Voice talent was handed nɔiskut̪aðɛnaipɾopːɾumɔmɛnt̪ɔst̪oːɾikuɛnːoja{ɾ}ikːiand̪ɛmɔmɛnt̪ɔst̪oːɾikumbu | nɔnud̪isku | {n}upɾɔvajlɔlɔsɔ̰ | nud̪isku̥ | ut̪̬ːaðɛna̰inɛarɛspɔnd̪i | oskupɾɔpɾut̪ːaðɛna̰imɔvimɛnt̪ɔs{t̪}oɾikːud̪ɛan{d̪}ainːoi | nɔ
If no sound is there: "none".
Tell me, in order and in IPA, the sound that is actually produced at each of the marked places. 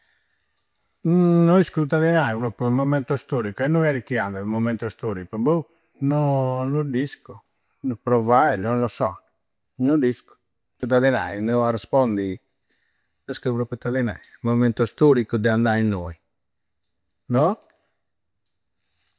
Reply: ɾ, n, t̪, d̪

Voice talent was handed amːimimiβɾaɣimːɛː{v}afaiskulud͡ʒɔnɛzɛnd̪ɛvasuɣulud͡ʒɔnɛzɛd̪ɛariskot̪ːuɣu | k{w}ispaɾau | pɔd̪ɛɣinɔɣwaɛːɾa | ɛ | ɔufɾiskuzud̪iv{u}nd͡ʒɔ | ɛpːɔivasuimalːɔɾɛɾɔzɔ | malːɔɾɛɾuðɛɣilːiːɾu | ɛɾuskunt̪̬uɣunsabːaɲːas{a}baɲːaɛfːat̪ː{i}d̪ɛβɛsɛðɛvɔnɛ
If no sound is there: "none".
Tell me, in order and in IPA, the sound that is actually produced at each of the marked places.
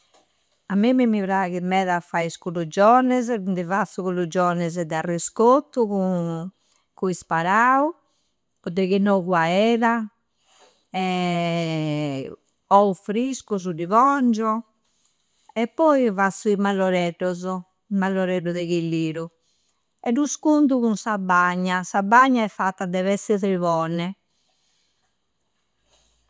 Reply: ð, u, ɔ, a, a

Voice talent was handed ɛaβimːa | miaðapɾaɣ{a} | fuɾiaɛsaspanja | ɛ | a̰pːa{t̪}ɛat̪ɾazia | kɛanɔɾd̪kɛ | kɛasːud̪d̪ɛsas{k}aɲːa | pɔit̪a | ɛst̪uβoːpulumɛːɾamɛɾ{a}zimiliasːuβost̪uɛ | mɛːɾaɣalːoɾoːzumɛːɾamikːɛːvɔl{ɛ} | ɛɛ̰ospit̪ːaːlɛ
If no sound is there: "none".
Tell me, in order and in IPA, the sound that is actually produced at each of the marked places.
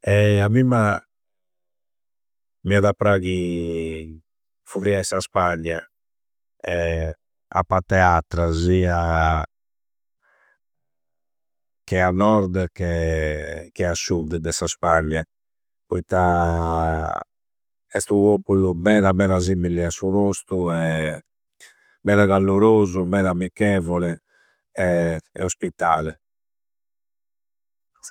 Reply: i, t̪, p, a, ɛ

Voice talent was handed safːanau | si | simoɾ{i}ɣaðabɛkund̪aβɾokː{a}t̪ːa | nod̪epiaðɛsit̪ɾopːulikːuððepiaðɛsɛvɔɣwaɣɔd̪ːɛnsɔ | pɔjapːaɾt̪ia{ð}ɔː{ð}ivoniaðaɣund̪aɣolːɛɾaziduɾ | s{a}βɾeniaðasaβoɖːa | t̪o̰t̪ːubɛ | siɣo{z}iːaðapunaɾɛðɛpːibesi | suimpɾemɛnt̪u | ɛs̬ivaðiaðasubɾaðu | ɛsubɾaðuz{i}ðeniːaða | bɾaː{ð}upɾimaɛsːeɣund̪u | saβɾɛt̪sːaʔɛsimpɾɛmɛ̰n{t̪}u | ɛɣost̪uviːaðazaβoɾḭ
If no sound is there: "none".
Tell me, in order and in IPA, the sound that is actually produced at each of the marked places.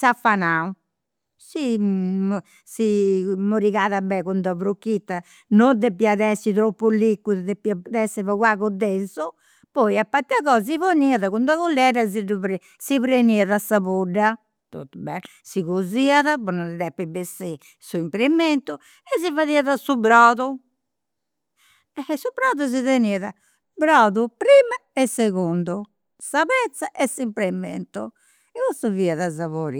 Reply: i, i, ɣ, z, i, z, i, ð, t̪

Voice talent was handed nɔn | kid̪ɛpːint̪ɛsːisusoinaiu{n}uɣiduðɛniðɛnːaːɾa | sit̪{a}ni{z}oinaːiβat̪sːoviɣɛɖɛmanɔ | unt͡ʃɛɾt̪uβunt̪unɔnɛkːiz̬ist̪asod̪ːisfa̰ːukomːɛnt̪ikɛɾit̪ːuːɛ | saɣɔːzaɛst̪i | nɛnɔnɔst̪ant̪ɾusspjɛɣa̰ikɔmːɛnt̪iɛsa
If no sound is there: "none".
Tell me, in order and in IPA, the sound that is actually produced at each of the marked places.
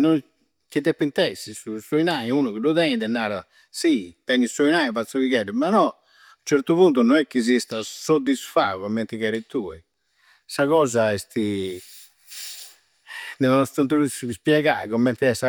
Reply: n, ɛ, s

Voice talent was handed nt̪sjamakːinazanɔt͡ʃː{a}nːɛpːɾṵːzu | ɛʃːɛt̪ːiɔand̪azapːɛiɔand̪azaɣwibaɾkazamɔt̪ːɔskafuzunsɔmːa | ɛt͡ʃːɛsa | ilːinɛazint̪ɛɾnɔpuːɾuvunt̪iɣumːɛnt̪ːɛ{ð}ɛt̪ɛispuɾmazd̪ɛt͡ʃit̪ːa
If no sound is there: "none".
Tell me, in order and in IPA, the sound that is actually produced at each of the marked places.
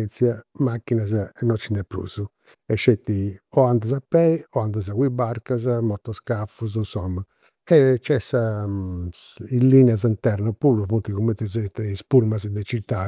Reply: i, z

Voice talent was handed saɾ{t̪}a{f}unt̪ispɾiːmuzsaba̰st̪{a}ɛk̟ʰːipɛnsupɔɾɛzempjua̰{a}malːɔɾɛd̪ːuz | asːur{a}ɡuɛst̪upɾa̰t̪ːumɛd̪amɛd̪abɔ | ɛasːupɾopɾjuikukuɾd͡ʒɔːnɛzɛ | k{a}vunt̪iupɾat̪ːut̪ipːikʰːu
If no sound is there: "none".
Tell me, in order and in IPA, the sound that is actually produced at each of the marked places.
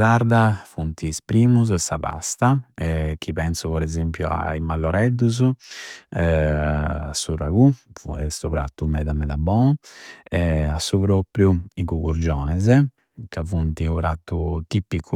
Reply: d̪, f, a, i, a, a

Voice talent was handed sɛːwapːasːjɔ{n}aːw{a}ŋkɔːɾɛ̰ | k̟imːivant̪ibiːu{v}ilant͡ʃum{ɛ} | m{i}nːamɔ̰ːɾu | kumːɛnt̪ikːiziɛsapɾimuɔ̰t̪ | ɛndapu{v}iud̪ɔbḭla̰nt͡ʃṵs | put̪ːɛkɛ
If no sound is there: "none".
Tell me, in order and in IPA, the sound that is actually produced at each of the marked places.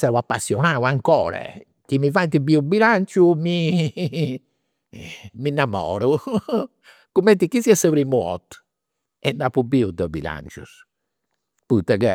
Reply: n, a, b, i, i, b

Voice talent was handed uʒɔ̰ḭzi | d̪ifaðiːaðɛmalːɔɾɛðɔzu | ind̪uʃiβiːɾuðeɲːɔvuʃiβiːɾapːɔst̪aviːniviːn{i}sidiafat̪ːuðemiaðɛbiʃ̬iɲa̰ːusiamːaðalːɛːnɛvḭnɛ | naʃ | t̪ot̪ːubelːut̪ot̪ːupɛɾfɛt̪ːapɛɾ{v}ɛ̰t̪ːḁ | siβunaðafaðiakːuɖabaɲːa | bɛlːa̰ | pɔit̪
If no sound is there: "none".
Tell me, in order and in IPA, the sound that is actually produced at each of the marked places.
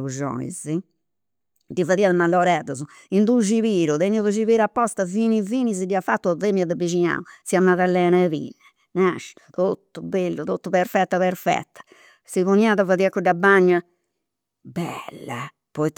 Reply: i, f

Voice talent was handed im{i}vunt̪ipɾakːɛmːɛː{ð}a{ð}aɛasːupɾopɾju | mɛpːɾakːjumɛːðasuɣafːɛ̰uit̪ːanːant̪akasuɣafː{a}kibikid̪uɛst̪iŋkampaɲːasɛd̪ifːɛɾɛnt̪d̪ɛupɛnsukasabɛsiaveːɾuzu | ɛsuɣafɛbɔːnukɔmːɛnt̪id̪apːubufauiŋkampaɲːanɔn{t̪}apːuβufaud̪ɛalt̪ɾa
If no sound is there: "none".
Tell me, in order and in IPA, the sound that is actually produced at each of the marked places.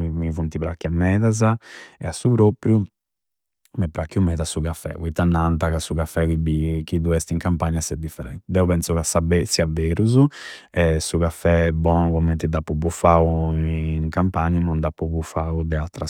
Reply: i, ð, z, ɛ, d̪

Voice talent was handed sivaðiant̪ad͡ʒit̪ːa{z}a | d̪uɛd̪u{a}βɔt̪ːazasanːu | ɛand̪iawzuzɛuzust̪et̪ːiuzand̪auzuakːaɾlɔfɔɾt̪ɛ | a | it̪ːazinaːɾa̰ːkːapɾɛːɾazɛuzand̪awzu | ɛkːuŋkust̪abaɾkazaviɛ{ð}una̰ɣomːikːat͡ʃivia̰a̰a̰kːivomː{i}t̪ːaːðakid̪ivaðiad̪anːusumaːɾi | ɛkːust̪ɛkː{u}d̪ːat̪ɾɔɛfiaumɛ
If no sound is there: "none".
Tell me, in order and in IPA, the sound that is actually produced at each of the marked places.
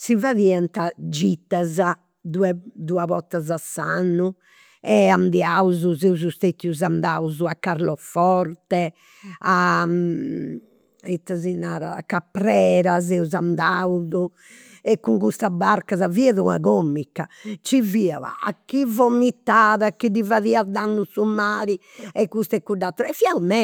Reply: z, a, ð, i, u

